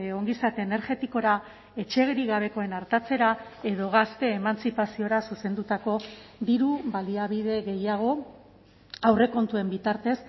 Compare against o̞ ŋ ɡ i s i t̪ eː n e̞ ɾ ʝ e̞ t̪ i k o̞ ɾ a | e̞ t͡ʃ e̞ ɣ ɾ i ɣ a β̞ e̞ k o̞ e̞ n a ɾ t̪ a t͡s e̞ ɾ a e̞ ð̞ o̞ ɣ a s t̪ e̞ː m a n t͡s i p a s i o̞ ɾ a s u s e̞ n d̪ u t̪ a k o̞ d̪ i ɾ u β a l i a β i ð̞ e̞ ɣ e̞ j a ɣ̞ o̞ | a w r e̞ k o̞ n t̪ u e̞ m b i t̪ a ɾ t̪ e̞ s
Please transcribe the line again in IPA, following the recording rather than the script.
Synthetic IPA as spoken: o̞ ŋ ɡ i s a t̪ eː n e̞ ɾ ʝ e̞ t̪ i k o̞ ɾ a | e̞ t͡ʃ e̞ ɣ ɾ i ɣ a β̞ e̞ k o̞ e̞ n a ɾ t̪ a t͡s e̞ ɾ a e̞ ð̞ o̞ ɣ a s t̪ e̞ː m a n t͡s i p a s i o̞ ɾ a s u s e̞ n d̪ u t̪ a k o̞ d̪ i ɾ u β a l i a β i ð̞ e̞ ɣ e̞ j a ɣ̞ o̞ | a w r e̞ k o̞ n t̪ u e̞ m b i t̪ a ɾ t̪ e̞ s